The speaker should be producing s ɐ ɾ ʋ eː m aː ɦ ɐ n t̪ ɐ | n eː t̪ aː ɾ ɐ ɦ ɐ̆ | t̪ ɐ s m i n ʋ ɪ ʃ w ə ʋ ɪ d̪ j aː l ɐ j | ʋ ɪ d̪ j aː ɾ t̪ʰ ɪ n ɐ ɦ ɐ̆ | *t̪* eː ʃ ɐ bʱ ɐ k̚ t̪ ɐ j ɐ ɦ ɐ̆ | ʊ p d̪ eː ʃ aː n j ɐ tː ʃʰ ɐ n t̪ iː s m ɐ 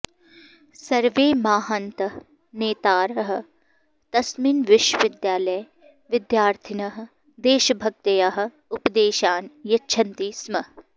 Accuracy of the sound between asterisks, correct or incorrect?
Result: incorrect: d̪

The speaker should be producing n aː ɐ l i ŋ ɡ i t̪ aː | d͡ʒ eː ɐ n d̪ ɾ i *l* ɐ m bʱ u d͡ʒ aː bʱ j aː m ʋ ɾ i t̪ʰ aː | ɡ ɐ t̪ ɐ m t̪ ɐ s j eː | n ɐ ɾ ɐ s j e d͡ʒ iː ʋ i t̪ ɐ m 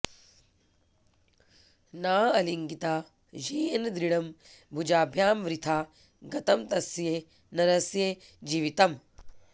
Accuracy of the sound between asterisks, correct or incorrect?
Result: incorrect: ɽ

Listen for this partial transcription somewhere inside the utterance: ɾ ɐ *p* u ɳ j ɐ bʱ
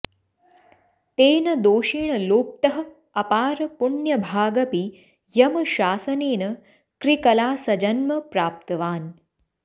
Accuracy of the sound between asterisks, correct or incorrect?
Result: correct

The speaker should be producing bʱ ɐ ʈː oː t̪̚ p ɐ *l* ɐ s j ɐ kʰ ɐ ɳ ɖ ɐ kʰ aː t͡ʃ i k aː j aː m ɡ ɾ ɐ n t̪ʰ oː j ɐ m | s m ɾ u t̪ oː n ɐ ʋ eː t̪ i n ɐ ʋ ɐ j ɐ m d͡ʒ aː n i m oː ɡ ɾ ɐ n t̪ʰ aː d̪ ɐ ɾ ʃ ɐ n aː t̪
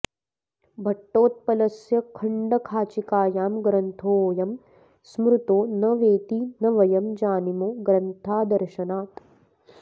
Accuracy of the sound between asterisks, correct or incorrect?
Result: correct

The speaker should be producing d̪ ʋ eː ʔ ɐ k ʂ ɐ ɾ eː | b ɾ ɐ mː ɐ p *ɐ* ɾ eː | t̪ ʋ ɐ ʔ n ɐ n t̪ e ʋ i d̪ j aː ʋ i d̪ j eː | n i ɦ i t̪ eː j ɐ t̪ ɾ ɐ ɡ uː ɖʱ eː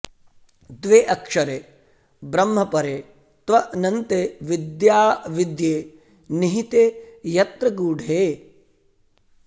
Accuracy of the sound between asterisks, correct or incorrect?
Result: correct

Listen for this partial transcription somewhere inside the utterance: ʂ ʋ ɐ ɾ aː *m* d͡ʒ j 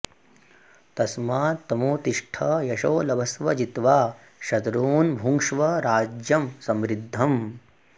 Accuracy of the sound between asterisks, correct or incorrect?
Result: incorrect: none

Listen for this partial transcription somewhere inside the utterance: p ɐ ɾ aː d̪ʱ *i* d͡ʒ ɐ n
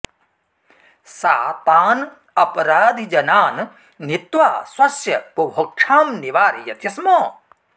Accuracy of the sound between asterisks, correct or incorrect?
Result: correct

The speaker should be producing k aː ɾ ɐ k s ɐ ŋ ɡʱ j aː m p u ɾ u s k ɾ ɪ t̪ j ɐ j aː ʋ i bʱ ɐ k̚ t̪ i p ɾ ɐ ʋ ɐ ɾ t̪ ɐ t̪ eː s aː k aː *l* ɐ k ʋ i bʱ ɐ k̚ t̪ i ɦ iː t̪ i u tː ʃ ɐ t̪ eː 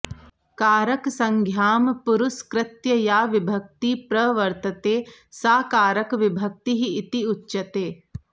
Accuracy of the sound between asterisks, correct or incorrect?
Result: incorrect: ɾ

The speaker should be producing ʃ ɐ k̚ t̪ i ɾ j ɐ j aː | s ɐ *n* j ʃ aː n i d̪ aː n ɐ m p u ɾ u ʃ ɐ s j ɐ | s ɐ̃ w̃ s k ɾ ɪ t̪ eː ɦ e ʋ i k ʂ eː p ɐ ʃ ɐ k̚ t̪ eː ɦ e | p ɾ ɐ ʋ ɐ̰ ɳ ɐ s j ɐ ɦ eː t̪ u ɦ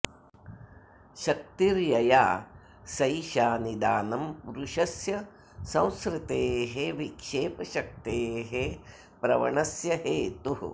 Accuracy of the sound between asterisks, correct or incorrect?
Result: incorrect: none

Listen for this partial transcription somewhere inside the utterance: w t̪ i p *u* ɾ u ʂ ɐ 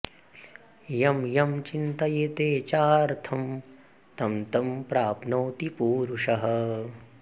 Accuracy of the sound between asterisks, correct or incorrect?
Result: incorrect: uː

